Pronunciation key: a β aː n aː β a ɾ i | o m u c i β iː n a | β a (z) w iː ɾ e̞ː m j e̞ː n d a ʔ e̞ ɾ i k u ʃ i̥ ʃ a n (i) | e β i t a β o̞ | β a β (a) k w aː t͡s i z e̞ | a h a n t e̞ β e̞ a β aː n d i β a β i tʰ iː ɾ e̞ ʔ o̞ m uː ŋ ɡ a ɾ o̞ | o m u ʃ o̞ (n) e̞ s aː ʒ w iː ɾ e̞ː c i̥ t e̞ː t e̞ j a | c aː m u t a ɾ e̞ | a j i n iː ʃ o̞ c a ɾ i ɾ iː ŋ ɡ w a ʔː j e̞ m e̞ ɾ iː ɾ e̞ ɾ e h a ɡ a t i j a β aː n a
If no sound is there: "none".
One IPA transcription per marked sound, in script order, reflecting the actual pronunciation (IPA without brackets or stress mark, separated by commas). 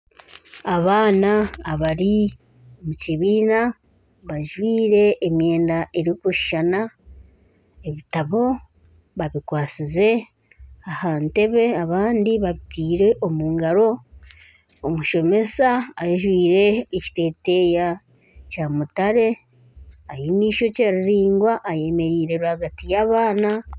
ʒ, a, i, m